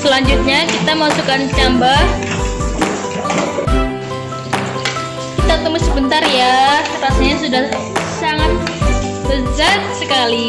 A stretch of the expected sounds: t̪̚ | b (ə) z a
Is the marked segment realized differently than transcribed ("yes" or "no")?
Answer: no